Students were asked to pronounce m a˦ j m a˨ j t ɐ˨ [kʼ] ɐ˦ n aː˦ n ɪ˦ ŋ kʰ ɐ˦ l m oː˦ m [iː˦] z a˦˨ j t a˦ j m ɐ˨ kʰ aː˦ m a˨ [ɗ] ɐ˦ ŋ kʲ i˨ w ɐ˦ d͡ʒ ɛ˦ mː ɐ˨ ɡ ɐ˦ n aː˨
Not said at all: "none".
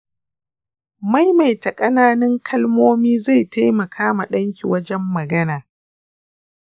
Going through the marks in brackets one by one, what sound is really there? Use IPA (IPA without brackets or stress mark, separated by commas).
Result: kʼ, iː˦, ɗ